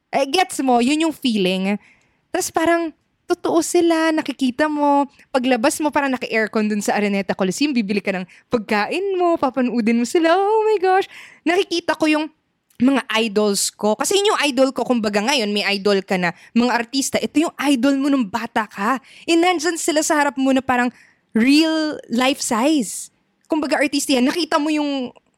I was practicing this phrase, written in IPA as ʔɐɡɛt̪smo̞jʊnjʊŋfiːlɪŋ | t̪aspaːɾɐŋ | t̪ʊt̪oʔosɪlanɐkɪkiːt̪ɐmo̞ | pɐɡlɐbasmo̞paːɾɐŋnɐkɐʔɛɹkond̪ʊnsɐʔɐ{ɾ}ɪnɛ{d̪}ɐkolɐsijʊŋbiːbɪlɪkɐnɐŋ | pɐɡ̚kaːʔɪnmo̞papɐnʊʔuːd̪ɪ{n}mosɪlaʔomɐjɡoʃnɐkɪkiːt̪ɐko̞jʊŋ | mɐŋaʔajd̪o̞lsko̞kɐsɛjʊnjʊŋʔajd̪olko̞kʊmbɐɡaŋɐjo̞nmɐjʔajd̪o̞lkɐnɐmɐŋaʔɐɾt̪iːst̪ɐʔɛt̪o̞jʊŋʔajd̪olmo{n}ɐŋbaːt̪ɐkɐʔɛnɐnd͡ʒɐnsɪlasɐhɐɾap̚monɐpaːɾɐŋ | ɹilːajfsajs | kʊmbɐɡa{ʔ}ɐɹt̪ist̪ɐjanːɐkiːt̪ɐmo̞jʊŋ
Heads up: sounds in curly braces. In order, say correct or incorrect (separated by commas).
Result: correct, incorrect, correct, correct, correct